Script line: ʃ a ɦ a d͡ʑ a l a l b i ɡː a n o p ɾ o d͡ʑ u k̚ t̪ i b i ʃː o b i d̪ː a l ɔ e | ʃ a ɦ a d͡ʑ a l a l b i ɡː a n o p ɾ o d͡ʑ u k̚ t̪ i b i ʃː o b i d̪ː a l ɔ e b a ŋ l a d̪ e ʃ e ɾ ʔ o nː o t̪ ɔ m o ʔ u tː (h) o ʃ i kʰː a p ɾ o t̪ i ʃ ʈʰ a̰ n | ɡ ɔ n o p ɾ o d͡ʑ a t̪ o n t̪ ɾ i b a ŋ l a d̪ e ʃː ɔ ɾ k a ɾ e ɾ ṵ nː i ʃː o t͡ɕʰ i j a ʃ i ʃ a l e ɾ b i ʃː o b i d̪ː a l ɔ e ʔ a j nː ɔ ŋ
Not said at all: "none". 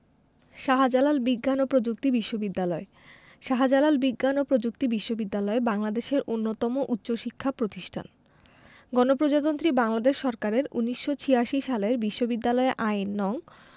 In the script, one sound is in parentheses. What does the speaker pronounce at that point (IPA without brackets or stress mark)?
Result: ɕ